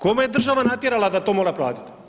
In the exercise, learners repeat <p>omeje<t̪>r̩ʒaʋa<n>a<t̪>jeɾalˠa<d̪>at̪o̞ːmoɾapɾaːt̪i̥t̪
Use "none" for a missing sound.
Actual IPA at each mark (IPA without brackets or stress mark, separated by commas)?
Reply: k, d̪, n, t̪, d̪